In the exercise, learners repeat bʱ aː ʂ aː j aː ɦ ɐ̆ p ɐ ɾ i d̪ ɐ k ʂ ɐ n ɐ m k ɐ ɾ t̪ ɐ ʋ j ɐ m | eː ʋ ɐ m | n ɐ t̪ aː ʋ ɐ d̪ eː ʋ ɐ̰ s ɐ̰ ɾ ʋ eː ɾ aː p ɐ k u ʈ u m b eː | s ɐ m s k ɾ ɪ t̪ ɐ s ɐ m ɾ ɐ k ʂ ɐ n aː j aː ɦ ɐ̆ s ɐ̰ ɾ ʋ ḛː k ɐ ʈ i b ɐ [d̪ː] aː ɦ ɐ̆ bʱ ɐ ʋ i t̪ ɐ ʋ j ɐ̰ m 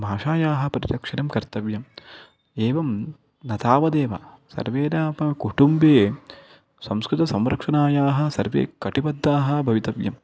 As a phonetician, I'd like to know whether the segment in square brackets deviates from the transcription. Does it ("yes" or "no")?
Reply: no